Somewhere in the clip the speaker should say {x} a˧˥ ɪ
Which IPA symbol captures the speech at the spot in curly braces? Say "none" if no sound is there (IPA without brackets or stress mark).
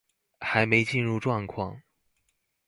x